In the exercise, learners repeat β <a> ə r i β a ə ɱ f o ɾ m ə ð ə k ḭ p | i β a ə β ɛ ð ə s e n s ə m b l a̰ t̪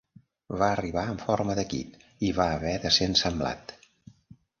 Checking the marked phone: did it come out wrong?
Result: no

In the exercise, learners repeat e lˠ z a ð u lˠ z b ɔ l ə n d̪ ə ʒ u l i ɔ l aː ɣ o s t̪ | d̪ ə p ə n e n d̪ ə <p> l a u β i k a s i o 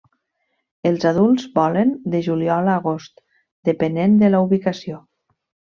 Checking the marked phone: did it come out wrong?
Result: yes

